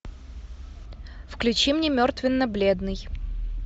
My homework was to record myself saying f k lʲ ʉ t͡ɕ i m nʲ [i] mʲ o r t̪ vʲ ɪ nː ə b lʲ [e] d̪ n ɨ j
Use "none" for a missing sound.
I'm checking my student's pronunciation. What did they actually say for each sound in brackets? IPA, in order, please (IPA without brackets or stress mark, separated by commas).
e, e